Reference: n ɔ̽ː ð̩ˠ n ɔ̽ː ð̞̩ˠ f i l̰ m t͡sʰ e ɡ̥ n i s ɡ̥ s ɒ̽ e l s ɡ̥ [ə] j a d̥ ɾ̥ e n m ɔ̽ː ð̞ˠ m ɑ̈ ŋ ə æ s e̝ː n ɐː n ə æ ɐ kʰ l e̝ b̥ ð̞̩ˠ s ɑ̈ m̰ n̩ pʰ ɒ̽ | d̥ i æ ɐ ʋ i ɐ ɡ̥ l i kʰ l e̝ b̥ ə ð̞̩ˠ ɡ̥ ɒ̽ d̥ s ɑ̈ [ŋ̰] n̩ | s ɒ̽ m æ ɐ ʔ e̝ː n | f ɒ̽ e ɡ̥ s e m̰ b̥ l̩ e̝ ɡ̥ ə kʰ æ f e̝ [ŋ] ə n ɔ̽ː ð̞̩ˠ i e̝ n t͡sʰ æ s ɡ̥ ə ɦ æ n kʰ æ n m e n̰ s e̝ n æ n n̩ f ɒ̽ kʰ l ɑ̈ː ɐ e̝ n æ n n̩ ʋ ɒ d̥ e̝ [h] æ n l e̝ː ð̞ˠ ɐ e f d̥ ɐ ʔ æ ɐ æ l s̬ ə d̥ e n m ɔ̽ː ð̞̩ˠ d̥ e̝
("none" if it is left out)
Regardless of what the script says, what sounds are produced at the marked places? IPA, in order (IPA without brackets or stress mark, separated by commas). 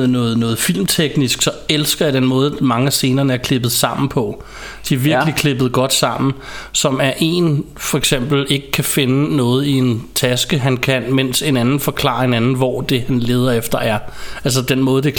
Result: ɐ, m̰, n, h